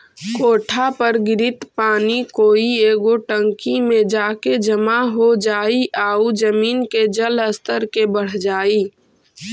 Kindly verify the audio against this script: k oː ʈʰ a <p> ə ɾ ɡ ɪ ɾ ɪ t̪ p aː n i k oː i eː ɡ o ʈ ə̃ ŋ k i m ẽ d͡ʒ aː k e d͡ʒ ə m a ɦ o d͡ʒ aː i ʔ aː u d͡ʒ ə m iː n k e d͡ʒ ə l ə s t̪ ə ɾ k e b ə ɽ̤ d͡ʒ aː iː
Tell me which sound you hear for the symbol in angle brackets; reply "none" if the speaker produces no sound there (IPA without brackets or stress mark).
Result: p